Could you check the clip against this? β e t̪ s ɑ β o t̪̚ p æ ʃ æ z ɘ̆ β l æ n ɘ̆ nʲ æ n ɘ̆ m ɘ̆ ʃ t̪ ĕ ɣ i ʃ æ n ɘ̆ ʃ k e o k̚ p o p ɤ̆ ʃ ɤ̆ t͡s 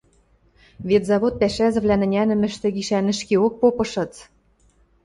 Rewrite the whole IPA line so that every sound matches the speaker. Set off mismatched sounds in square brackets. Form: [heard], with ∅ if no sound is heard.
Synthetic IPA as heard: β e t̪ [z] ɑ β o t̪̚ p æ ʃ æ z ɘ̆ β l æ n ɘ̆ nʲ æ n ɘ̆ m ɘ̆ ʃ t̪ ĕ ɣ i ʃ æ n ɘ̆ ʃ k e o k̚ p o p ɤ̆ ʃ ɤ̆ t͡s